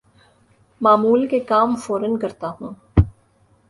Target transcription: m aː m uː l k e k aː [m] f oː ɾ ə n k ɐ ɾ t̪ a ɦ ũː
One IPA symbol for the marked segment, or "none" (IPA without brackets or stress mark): m